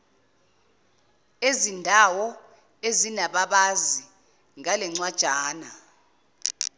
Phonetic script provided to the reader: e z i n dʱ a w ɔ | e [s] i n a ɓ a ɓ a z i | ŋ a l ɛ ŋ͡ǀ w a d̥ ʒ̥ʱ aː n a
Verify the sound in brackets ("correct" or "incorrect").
incorrect